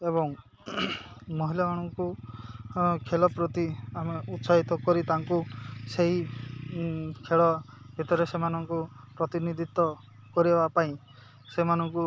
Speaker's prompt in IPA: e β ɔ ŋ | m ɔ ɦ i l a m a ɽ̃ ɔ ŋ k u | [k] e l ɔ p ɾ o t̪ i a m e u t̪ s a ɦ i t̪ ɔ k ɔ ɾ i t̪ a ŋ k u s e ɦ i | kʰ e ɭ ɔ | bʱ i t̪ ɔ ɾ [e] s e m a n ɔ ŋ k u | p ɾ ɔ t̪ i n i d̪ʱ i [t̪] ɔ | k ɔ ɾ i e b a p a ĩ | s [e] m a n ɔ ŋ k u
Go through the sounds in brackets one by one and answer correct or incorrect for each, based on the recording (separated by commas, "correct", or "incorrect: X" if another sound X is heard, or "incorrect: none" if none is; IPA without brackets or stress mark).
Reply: incorrect: kʰ, correct, correct, correct